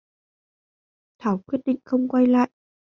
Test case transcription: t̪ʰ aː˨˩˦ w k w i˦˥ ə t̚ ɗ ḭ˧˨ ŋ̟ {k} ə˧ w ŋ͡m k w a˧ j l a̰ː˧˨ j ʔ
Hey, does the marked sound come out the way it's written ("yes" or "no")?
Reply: no